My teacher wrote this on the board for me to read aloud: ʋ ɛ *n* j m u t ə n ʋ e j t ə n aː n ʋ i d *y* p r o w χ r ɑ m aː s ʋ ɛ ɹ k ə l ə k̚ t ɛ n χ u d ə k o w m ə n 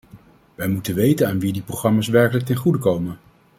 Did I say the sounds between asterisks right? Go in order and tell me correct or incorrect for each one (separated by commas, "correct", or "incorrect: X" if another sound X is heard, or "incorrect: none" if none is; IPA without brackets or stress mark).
incorrect: none, incorrect: i